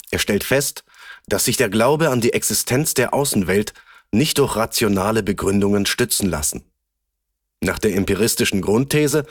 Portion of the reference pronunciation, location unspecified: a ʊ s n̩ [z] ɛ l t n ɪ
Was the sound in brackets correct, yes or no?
no